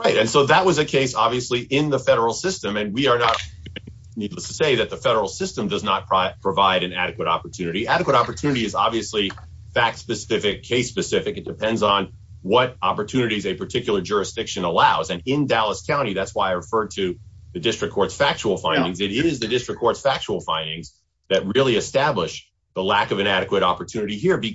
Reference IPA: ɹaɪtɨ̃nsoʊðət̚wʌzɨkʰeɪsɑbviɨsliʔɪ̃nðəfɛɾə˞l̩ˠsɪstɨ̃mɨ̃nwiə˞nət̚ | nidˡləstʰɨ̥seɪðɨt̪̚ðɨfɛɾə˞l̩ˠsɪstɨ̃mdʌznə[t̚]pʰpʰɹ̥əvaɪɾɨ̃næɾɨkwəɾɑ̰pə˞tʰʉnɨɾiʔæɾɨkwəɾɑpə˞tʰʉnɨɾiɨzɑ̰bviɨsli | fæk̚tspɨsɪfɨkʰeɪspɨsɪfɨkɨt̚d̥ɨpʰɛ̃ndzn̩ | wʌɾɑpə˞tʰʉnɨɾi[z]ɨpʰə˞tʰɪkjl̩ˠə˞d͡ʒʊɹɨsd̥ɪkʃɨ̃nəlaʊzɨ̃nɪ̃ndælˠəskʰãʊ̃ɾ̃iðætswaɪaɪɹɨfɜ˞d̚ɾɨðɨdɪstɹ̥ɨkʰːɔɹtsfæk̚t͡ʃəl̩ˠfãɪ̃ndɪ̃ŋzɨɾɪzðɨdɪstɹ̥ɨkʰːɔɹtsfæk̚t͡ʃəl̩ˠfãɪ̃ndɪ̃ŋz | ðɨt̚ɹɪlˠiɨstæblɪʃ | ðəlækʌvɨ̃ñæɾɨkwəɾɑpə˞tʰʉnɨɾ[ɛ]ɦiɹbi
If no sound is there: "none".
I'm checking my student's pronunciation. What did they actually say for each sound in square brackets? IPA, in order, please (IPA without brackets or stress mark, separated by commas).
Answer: t̚, z, i